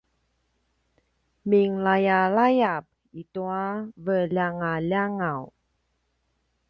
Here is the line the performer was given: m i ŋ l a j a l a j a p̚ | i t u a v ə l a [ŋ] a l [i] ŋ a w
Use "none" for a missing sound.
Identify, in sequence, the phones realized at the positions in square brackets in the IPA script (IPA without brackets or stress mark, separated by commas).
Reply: ŋ, a